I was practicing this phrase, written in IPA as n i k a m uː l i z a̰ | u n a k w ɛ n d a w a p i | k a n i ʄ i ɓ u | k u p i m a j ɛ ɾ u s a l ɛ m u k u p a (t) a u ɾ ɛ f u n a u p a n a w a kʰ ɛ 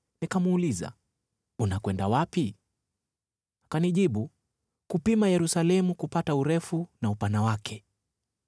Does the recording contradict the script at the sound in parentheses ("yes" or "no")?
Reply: no